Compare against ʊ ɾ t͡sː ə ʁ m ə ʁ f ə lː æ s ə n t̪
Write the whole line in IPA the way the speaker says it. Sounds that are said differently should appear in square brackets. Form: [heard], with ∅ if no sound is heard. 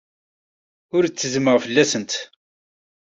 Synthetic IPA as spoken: ʊ ɾ t͡sː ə [z] m ə ʁ f ə lː æ s ə n t̪